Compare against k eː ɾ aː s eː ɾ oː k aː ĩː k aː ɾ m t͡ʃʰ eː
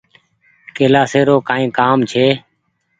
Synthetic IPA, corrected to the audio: k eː l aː s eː ɾ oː k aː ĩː k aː m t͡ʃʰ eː